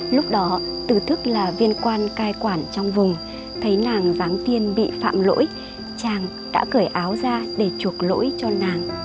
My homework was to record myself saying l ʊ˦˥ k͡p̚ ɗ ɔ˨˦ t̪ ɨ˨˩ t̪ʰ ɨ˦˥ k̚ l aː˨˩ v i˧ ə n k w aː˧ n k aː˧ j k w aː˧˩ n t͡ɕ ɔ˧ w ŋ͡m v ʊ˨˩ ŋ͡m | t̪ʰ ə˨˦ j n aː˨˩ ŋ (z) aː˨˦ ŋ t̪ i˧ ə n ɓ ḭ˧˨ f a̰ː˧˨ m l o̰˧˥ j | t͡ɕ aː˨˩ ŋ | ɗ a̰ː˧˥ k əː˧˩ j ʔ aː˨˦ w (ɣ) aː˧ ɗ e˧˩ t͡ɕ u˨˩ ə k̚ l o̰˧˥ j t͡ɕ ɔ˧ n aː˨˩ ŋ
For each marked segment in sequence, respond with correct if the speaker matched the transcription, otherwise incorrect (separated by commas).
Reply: correct, incorrect